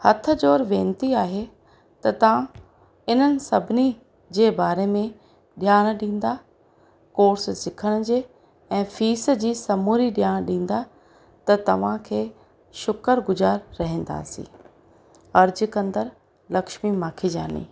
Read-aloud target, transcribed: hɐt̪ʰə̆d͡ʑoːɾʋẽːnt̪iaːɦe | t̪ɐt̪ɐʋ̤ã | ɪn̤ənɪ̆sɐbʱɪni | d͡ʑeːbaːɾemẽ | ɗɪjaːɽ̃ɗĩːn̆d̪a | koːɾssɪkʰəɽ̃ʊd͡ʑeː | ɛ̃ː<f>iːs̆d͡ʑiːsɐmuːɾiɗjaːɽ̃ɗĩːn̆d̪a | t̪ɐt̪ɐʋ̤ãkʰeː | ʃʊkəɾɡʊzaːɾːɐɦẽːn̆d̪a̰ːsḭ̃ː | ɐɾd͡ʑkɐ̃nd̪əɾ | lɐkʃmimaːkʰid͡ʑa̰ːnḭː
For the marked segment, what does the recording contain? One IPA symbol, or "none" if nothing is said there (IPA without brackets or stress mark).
f